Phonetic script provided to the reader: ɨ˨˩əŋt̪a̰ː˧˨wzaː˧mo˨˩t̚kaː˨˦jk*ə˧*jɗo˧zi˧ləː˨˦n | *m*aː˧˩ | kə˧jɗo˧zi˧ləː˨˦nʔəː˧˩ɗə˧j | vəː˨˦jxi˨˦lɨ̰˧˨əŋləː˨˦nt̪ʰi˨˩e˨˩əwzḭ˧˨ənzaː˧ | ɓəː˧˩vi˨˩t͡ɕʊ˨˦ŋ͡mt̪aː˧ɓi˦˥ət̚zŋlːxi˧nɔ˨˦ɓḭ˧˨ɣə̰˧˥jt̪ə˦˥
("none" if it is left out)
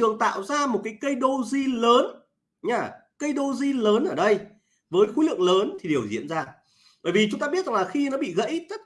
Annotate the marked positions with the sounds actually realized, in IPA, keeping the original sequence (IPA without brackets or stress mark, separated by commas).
ə˧, ɲ